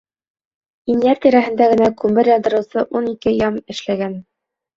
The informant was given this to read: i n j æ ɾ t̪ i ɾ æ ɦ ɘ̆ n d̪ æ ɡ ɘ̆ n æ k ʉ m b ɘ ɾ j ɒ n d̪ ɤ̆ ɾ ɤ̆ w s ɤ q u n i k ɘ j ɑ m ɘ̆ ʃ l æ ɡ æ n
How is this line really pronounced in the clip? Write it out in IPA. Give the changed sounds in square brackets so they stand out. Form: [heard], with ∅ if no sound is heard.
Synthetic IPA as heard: i n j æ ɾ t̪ i ɾ æ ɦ ɘ̆ n d̪ æ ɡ ɘ̆ n æ k ʉ m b ɘ ɾ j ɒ n d̪ ɤ̆ ɾ ɤ̆ w s ɤ [ʔ] u n i k ɘ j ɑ m ɘ̆ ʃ l æ ɡ æ n